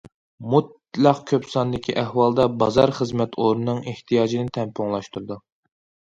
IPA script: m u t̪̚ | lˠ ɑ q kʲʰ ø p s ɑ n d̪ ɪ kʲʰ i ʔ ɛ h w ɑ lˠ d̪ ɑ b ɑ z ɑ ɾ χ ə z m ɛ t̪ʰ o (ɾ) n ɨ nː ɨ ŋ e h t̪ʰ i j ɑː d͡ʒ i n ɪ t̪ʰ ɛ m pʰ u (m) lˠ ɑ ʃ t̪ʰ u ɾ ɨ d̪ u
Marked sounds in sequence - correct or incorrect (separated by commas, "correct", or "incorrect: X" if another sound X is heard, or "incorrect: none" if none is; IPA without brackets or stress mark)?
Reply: correct, incorrect: ŋ